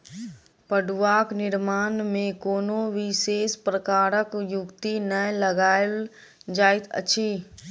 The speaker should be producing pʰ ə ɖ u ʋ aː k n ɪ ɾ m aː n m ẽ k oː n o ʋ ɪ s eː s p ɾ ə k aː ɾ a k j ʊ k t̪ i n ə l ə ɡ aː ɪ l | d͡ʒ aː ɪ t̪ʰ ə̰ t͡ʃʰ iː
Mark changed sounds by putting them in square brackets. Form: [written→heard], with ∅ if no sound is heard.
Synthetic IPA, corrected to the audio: [pʰ→p] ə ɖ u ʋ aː k n ɪ ɾ m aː n m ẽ k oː n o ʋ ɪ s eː s p ɾ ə k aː ɾ [a→ə] k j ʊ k t̪ i n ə l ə ɡ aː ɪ l | d͡ʒ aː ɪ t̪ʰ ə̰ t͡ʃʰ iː